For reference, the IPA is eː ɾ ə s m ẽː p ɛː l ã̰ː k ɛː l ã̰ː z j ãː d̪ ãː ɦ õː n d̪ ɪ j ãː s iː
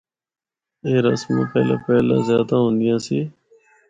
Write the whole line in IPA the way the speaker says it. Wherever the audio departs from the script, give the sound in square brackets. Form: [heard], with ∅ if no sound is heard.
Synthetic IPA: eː ɾ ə s m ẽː p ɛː l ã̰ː [p] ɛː l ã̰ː z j [aː] d̪ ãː ɦ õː n d̪ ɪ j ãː s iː